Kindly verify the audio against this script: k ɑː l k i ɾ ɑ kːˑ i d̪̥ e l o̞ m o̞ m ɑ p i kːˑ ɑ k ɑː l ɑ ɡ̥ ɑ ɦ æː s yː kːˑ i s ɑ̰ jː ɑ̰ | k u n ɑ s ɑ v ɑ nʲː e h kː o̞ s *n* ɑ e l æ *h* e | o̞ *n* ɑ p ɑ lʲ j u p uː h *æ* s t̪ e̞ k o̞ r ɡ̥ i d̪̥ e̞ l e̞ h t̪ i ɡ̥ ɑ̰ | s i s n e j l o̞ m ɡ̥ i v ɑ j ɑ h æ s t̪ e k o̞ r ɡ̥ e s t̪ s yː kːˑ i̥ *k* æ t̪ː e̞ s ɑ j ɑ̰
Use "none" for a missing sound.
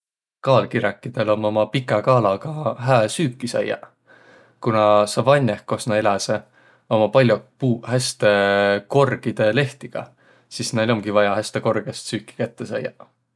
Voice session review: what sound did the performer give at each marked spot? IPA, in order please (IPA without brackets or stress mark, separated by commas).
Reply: n, s, m, æ, k